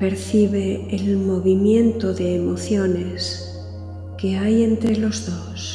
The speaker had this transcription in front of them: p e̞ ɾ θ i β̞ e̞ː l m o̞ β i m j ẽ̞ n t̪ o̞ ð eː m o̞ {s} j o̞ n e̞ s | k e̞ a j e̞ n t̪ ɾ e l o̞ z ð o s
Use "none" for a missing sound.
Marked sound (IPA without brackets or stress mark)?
θ